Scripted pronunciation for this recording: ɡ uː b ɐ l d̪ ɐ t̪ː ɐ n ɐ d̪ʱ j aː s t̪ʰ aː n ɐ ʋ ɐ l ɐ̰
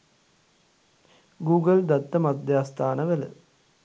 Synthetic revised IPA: ɡ uː ɡ ɐ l d̪ ɐ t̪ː ɐ m ɐ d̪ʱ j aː s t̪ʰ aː n ɐ ʋ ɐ l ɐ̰